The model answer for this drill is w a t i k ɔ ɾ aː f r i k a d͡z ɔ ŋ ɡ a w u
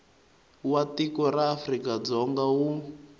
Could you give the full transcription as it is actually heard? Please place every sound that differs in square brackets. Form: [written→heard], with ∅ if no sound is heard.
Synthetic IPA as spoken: w a t i k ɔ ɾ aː f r i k a d͡z ɔ ŋ ɡ a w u